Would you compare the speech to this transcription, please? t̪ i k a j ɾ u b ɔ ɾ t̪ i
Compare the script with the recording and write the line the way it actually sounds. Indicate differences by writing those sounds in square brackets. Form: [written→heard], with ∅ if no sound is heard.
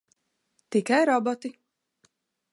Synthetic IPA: t̪ i k a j ɾ [u→ɔ] b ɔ [ɾ→∅] t̪ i